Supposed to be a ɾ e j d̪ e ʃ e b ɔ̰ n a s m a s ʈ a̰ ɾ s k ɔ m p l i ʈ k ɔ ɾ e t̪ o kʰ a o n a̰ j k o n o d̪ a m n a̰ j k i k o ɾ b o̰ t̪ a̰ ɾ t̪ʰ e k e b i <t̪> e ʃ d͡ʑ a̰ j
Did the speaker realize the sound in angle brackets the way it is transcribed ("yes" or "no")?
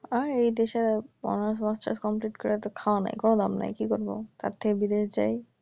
no